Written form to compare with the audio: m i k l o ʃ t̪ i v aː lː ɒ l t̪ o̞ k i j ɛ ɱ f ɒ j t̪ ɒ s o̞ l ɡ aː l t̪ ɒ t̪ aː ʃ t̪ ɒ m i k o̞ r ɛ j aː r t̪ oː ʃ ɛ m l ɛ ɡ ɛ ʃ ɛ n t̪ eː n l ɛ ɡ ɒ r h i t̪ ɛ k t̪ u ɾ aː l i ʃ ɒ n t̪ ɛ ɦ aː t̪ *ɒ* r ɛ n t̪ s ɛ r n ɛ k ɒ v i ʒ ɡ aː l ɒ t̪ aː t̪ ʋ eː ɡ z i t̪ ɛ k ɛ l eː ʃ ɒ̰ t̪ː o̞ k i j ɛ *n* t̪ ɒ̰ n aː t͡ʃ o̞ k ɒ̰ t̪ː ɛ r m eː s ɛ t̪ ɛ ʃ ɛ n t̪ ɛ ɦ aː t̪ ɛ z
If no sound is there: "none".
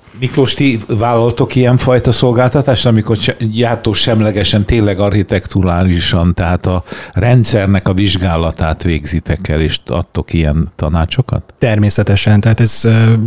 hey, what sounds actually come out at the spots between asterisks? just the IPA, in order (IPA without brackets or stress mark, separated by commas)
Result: ɒ, n